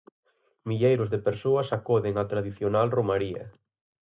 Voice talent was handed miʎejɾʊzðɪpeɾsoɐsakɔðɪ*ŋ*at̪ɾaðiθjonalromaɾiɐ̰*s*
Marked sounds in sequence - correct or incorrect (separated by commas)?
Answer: correct, incorrect